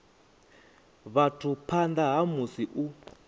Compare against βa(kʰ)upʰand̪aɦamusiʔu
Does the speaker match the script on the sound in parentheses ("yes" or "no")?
no